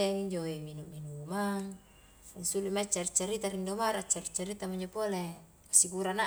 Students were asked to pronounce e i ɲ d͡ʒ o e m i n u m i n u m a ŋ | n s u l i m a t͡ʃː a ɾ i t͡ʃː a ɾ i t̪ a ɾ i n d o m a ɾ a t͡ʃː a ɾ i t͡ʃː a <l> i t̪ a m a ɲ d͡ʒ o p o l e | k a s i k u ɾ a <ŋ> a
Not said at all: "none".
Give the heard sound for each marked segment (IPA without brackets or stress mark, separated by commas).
ɾ, n